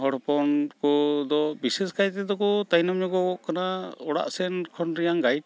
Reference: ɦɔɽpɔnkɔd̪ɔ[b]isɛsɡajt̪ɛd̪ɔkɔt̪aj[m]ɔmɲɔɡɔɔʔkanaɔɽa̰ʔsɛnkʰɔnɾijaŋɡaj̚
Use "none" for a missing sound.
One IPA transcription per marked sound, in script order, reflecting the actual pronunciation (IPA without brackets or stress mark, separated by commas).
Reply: b, n